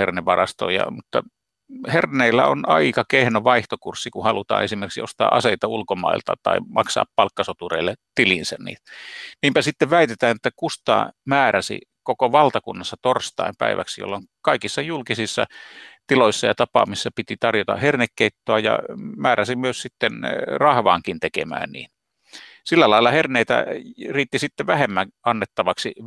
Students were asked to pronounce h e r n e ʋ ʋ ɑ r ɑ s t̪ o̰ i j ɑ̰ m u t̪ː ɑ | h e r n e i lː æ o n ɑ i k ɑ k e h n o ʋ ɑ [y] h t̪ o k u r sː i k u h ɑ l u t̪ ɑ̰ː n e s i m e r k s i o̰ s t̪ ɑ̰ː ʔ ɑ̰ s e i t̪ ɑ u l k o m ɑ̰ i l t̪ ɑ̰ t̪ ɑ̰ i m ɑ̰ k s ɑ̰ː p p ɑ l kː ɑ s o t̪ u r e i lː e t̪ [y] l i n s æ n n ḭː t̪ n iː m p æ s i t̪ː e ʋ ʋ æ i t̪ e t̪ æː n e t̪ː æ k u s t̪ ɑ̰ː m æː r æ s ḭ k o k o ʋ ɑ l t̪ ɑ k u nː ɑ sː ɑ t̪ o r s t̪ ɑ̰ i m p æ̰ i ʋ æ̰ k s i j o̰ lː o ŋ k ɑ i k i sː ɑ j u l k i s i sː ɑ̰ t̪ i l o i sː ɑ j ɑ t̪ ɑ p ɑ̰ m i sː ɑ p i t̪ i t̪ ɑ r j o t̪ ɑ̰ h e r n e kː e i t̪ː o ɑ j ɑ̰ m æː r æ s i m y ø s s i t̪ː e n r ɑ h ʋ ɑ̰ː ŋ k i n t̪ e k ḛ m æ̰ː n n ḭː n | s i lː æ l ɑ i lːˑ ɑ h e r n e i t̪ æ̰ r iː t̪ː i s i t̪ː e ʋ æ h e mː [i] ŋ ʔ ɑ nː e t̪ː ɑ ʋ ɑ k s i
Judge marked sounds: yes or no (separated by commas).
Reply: no, no, no